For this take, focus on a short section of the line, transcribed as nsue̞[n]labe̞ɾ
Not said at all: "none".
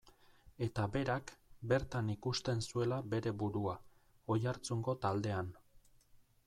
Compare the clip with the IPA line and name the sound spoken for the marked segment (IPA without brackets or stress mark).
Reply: none